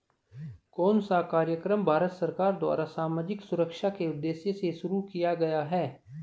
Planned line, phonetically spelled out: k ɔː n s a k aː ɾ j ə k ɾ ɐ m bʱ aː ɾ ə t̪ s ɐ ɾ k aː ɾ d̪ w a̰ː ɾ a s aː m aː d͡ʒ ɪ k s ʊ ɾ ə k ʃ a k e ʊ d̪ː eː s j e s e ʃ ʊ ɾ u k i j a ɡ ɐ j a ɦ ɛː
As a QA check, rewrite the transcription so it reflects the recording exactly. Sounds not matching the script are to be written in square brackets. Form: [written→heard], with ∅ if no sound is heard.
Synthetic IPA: k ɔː n s a k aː ɾ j ə k ɾ [ɐ→ə] m bʱ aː ɾ ə t̪ s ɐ ɾ k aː ɾ d̪ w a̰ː ɾ a s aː m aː d͡ʒ ɪ k s ʊ ɾ ə k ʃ a k e ʊ d̪ː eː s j e s e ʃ ʊ ɾ u k i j a ɡ ɐ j a ɦ ɛː

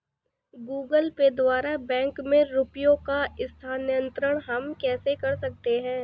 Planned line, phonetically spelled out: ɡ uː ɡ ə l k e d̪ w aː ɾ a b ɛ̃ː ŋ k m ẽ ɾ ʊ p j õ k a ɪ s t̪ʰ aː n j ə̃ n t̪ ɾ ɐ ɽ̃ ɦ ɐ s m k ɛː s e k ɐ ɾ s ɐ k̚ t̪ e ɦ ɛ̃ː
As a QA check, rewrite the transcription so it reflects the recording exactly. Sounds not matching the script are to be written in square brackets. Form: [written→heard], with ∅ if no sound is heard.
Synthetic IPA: ɡ uː ɡ ə l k e d̪ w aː ɾ a b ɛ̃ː ŋ k m ẽ ɾ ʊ p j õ k a ɪ s t̪ʰ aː n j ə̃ n t̪ ɾ [ɐ→ə] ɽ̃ ɦ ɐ [s→∅] m k ɛː s e k ɐ ɾ s ɐ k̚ t̪ e ɦ ɛ̃ː

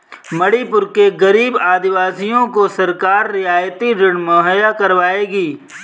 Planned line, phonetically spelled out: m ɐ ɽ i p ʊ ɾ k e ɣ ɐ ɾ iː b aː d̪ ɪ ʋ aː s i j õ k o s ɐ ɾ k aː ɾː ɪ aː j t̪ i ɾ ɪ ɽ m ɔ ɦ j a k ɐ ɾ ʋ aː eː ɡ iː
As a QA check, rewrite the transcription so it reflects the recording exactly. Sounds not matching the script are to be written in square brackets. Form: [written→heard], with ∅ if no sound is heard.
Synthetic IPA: m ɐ ɽ i p ʊ ɾ k e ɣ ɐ ɾ iː b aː d̪ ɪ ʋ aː s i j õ k o s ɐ ɾ k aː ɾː ɪ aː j t̪ i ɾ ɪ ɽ m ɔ ɦ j a k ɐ ɾ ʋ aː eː ɡ iː

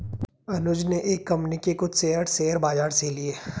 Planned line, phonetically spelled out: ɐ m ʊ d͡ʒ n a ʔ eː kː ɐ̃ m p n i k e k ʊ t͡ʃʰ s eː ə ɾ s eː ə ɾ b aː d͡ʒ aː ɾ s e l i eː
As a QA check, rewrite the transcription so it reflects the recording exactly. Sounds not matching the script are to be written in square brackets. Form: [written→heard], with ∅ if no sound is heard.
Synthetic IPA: ɐ [m→n] ʊ d͡ʒ n [a→e] ʔ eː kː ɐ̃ m p n i k e k ʊ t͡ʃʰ s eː ə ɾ s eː ə ɾ b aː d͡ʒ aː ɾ s e l i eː

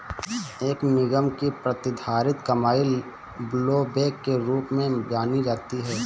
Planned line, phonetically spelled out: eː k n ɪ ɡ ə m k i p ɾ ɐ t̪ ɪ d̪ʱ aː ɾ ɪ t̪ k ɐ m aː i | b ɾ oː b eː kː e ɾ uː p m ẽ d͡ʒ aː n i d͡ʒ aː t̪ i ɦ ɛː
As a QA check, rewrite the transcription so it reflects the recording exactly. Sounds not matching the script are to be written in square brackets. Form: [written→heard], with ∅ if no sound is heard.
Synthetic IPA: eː k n ɪ ɡ ə m k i p ɾ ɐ t̪ ɪ d̪ʱ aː ɾ ɪ t̪ k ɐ m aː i | b [ɾ→l] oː b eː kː e ɾ uː p m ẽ d͡ʒ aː n i d͡ʒ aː t̪ i ɦ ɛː

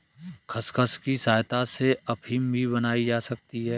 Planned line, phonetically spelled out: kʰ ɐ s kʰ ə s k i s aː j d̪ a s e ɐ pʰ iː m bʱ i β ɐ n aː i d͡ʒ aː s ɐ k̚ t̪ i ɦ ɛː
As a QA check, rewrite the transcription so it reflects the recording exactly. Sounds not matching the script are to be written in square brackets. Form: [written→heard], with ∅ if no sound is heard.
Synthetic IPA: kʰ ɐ s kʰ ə s k i s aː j [d̪→t̪] a s e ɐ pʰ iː m bʱ i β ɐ n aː i d͡ʒ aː s ɐ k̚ t̪ i ɦ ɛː

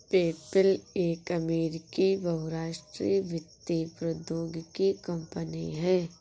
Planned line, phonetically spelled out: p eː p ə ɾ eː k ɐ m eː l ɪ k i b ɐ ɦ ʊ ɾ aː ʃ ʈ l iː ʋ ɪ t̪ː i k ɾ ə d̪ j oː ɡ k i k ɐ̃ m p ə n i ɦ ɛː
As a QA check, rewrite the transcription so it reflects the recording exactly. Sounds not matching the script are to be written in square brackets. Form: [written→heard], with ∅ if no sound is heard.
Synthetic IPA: p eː p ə [ɾ→l] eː k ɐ m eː [l→ɾ] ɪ k i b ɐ ɦ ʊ ɾ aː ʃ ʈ [l→ɾ] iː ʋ ɪ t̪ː i [k→p] ɾ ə d̪ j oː ɡ k i k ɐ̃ m p ə n i ɦ ɛː

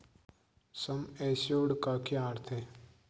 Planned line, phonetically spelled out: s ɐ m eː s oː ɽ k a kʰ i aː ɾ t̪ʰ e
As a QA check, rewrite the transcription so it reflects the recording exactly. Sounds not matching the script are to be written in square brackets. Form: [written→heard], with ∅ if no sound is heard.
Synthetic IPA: s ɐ m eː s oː ɽ k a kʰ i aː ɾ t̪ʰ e

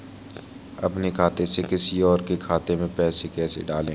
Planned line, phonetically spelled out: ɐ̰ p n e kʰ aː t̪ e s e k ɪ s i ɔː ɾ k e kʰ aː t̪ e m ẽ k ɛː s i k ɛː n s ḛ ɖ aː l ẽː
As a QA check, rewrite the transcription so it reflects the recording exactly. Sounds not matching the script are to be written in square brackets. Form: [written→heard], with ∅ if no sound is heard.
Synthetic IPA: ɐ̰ p n e kʰ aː t̪ e s e k ɪ s i ɔː ɾ k e kʰ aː t̪ e m ẽ [k→p] ɛː s [i→e] k ɛː [n→∅] s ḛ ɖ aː l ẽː

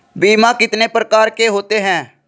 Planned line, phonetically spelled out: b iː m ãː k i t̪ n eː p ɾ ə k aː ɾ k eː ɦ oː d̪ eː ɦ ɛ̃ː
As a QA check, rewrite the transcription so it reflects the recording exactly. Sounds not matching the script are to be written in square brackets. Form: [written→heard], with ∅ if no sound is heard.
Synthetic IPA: b iː m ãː k [i→ɪ] t̪ n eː p ɾ ə k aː ɾ k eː ɦ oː [d̪→t̪] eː ɦ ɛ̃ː

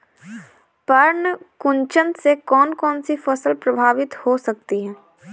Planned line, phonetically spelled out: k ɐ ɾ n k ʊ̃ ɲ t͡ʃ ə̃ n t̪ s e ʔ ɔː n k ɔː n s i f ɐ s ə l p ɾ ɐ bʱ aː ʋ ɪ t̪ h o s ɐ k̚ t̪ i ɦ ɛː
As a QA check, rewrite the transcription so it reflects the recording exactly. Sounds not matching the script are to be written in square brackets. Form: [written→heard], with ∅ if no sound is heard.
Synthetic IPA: [k→p] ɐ ɾ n k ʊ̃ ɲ t͡ʃ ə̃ n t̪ s e [ʔ→k] ɔː n k ɔː n s i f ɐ s ə l p ɾ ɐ bʱ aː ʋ ɪ t̪ h o s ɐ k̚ t̪ i ɦ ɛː

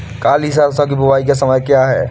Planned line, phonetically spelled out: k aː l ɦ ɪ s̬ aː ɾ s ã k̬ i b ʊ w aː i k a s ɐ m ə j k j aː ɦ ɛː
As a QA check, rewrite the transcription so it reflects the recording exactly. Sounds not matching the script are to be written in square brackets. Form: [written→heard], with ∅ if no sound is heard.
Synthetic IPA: k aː l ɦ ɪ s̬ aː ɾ s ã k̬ i b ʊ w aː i k a s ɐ m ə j k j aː ɦ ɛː

